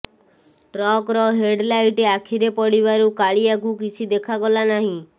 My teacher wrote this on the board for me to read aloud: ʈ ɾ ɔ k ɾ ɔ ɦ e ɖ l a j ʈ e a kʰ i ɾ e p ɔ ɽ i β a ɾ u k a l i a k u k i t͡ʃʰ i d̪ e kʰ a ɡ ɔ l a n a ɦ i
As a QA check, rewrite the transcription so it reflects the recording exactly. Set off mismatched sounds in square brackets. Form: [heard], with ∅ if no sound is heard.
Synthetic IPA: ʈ ɾ ɔ k ɾ ɔ ɦ e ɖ l a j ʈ e a kʰ i ɾ e p ɔ ɽ i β a ɾ u k a [ɭ] i a k u k i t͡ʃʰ i d̪ e kʰ a ɡ ɔ l a n a ɦ [ĩ]

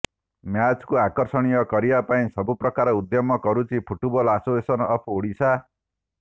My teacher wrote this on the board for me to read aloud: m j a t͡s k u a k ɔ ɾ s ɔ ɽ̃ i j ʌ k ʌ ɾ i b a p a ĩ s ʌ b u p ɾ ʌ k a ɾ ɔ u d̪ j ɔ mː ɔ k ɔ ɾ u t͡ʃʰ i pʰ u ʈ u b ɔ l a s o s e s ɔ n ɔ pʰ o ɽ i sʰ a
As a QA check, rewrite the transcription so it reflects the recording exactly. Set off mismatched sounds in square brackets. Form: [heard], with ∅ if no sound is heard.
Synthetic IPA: m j a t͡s k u a k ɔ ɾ s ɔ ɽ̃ i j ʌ k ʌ ɾ i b a p a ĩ s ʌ b u p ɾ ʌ k a ɾ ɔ u d̪ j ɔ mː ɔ k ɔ ɾ u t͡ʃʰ i pʰ u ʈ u b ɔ l a s o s e s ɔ n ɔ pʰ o ɽ i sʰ a

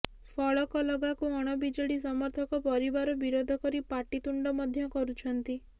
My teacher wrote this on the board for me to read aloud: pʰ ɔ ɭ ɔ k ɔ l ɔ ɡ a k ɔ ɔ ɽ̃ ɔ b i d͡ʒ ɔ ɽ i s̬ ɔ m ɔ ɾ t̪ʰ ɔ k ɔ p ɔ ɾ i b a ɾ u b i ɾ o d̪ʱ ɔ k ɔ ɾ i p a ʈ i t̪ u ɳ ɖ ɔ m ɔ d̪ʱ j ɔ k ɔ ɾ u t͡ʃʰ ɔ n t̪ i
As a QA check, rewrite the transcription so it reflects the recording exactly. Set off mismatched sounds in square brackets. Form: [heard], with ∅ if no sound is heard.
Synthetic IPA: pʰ ɔ ɭ ɔ k ɔ l ɔ ɡ a k [u] ɔ ɽ̃ ɔ b i d͡ʒ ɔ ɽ i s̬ ɔ m ɔ ɾ t̪ʰ ɔ k ɔ p ɔ ɾ i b a ɾ [ɔ] b i ɾ o d̪ʱ ɔ k ɔ ɾ i p a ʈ i t̪ u ɳ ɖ ɔ m ɔ d̪ʱ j ɔ k ɔ ɾ u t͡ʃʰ ɔ n t̪ i

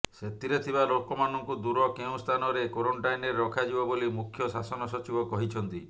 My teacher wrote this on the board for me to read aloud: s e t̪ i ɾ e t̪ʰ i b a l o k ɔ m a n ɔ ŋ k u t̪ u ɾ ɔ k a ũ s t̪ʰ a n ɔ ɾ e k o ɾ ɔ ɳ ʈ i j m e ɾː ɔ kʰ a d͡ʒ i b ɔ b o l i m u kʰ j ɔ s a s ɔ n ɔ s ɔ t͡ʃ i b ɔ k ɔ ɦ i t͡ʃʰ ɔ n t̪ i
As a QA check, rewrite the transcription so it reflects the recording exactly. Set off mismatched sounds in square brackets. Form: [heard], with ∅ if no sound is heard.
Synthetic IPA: s e t̪ i ɾ e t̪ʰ i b a l o k ɔ m a n ɔ ŋ k u [d̪] u ɾ ɔ k [e] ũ s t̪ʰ a n ɔ ɾ e k o ɾ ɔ ɳ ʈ [a] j [n] e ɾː ɔ kʰ a d͡ʒ i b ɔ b o l i m u kʰ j ɔ s a s ɔ n ɔ s ɔ t͡ʃ i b ɔ k ɔ ɦ i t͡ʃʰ ɔ n t̪ i

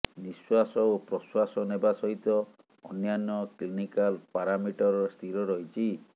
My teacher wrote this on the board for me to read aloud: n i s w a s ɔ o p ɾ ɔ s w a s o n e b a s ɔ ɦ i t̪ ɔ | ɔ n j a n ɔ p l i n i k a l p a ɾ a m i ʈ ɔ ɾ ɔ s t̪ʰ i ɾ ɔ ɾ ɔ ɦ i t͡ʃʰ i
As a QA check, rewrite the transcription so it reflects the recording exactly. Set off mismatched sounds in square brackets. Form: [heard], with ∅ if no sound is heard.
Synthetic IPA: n i s w a s ɔ o p ɾ ɔ s w a s [ɔ] n e b a s ɔ ɦ i t̪ ɔ | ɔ n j a n ɔ [k] l i n i k a l p a ɾ a m i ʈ ɔ ɾ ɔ s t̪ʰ i ɾ ɔ ɾ ɔ ɦ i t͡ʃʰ i

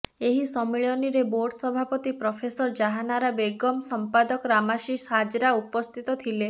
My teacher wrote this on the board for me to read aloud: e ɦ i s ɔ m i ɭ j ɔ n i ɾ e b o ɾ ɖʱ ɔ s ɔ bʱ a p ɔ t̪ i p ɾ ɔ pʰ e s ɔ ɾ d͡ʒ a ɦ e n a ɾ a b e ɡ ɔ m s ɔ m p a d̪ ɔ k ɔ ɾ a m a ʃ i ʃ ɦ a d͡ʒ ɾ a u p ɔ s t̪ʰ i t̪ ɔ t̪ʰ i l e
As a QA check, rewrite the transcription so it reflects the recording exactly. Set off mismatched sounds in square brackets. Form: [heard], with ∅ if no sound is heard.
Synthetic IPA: e ɦ i s ɔ m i ɭ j ɔ n i ɾ e b o ɾ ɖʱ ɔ s ɔ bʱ a p ɔ t̪ i p ɾ ɔ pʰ e s ɔ ɾ d͡ʒ a ɦ [a] n a ɾ a b e ɡ ɔ m s ɔ m p a d̪ ɔ k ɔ ɾ a m a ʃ i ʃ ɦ a d͡ʒ ɾ a u p ɔ s t̪ʰ i t̪ ɔ t̪ʰ i l e

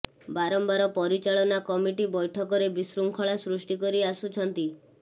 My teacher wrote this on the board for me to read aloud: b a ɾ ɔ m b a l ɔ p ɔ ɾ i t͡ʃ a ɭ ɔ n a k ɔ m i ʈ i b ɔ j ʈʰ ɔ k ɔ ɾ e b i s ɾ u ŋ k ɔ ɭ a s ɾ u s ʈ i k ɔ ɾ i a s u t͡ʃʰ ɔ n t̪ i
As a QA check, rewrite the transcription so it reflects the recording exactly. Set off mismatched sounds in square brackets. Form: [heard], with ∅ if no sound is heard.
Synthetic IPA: b a ɾ ɔ m b a [ɾ] ɔ p ɔ ɾ i t͡ʃ a ɭ ɔ n a k ɔ m i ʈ i b ɔ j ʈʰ ɔ k ɔ ɾ e b i s ɾ u ŋ [kʰ] ɔ ɭ a s ɾ u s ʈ i k ɔ ɾ i a s u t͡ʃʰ ɔ n t̪ i

